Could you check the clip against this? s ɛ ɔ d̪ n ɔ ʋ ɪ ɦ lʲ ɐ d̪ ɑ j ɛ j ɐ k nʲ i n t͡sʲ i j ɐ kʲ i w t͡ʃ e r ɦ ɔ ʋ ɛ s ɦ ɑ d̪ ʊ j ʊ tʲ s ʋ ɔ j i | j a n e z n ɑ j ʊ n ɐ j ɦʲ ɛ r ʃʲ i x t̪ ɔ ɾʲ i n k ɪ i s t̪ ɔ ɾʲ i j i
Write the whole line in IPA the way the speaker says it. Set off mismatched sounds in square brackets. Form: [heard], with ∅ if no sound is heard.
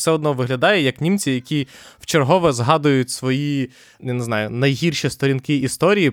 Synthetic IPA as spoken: s ɛ ɔ d̪ n ɔ ʋ ɪ ɦ lʲ ɐ d̪ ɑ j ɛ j ɐ k nʲ i [m] t͡sʲ i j ɐ kʲ i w t͡ʃ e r ɦ ɔ ʋ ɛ [z] ɦ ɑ d̪ ʊ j ʊ tʲ s ʋ ɔ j i | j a n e z n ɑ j ʊ n ɐ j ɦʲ [i] r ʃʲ i [s] t̪ ɔ ɾʲ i n k ɪ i s t̪ ɔ ɾʲ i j i